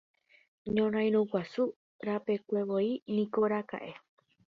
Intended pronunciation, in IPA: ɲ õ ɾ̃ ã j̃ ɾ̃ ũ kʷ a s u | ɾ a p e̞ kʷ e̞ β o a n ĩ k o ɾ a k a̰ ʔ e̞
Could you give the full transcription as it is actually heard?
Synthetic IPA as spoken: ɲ õ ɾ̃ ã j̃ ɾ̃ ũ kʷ a s u | ɾ a p e̞ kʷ e̞ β o i n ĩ k o ɾ a k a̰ ʔ e̞

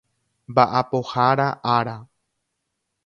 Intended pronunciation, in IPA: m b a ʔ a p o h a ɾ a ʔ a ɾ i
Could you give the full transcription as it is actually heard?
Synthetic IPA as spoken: m b a ʔ a p o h a ɾ a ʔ a ɾ a

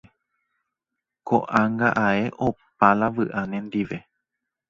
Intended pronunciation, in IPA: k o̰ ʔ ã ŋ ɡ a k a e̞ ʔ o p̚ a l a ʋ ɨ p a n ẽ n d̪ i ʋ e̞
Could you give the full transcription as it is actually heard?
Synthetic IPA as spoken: k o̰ ʔ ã ŋ ɡ a ʔ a e̞ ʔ o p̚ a l a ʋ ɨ ʔ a n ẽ n d̪ i ʋ e̞

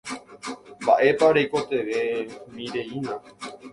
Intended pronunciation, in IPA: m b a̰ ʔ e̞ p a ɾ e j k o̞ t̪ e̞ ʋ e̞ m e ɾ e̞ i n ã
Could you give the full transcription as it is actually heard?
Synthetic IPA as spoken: m b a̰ ʔ e̞ p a ɾ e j k o̞ t̪ e̞ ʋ e̞ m i ɾ e̞ i n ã

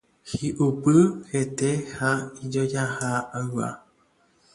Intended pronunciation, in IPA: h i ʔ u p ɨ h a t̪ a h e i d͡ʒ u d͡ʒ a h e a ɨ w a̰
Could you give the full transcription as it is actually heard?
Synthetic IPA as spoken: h i ʔ u p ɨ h e t̪ e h a i d͡ʒ o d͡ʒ a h a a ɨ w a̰

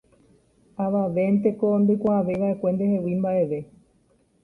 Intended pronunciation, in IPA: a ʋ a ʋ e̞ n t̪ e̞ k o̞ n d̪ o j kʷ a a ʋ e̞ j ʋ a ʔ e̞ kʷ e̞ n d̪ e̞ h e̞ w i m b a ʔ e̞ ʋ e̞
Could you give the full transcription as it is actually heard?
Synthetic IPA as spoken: a ʋ a ʋ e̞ n t̪ e̞ k o̞ n d̪ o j kʷ a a ʋ e̞ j ʋ a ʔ e̞ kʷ e̞ n d̪ e̞ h e̞ w i m b a ʔ e̞ ʋ e̞

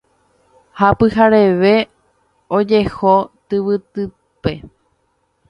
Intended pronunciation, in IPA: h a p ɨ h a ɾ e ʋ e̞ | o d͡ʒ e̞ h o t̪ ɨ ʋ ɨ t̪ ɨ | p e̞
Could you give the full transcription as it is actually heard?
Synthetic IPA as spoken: h a p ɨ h a ɾ e ʋ e̞ | o d͡ʒ e̞ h o t̪ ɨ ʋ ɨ t̪ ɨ | p e̞

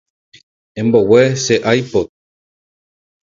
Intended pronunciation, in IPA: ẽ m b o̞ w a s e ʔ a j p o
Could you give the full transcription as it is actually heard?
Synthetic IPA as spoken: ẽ m b o̞ w e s e ʔ a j p o

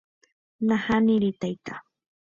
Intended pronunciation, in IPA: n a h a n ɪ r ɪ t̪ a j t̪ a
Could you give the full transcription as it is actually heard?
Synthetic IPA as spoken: n a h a n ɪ ɾ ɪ t̪ a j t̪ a

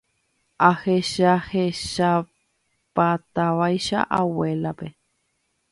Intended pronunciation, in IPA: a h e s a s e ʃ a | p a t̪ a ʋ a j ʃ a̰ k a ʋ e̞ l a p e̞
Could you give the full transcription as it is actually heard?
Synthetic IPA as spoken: a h e ʃ a h e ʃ a | p a t̪ a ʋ a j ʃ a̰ ʔ a w e̞ l a p e̞

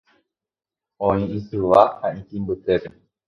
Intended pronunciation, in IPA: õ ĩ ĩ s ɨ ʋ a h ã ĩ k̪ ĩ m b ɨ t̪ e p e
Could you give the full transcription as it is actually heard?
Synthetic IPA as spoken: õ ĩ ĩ s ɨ ʋ a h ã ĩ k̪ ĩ m b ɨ t̪ e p e

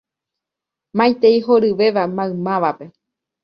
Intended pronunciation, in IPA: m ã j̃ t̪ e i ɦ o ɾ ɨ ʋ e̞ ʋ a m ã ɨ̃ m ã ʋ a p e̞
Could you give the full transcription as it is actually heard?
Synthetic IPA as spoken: m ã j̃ t̪ e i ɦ o ɾ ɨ ʋ e̞ ʋ a m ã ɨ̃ m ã ʋ a p e̞

